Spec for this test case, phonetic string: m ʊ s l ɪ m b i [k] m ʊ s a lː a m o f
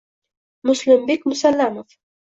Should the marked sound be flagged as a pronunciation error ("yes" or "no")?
no